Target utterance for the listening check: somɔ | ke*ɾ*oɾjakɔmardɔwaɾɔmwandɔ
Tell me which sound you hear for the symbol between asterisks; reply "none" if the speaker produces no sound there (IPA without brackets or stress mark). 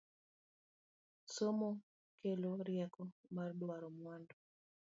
l